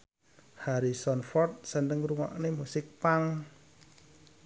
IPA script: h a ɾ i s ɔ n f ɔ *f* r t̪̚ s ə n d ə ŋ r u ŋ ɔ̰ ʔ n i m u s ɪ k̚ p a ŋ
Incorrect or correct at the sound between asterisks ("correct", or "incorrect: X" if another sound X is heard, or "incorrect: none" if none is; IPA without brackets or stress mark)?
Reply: incorrect: none